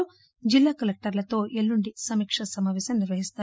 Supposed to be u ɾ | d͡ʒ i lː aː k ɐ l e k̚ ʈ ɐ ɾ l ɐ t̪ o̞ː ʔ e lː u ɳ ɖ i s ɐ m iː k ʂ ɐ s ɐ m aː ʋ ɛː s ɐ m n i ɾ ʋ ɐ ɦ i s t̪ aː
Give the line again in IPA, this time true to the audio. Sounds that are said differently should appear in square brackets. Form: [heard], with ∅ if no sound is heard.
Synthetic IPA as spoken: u [∅] | d͡ʒ i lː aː k ɐ l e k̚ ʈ ɐ ɾ l ɐ t̪ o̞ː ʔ e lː u ɳ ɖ i s ɐ m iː k ʂ ɐ s ɐ m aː ʋ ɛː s ɐ m n i ɾ ʋ ɐ ɦ i s t̪ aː